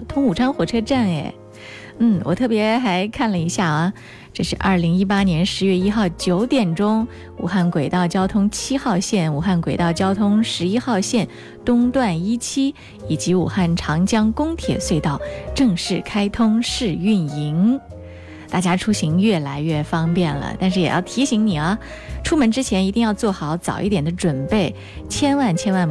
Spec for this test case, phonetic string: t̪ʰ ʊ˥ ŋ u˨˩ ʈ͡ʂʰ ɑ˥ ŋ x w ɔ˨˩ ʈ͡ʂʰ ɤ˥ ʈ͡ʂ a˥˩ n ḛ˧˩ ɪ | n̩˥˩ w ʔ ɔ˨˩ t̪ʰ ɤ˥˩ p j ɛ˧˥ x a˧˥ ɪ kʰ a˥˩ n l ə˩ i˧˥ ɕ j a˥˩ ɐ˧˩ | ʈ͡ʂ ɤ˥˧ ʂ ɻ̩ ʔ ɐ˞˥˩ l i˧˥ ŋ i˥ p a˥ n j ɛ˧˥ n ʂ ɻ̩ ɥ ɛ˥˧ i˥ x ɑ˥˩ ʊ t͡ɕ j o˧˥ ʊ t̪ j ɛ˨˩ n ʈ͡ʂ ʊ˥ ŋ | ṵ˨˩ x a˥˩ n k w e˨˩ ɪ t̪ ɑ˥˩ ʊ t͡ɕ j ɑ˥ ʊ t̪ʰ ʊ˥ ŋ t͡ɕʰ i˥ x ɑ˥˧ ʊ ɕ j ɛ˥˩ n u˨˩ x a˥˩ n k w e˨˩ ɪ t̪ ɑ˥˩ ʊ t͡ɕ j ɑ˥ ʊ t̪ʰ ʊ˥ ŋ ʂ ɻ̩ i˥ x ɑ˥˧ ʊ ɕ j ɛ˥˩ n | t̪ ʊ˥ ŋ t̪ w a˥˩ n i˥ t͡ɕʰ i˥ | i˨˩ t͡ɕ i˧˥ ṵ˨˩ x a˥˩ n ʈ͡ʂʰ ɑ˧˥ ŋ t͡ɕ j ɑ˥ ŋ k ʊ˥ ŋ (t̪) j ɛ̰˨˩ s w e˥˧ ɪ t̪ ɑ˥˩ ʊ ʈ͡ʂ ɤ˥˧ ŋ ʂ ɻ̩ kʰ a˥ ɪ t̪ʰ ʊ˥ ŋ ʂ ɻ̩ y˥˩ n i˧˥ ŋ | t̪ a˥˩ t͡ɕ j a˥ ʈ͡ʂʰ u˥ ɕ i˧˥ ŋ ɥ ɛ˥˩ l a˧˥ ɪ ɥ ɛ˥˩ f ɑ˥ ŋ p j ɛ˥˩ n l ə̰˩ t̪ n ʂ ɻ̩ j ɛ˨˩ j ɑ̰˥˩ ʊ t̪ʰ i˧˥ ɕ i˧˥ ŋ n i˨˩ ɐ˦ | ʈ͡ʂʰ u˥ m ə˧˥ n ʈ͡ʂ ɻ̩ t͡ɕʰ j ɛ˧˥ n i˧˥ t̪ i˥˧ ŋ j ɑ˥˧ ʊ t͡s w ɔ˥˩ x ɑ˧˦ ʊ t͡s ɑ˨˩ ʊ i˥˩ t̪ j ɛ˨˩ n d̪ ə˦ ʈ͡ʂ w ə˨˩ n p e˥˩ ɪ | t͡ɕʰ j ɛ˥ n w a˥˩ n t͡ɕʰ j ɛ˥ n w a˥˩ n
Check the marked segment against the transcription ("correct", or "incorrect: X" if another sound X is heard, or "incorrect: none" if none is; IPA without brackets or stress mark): incorrect: t̪ʰ